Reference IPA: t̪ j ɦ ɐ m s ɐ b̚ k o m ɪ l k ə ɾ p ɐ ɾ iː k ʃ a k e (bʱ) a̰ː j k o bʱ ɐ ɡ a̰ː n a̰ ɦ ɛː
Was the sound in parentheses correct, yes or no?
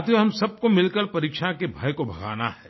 yes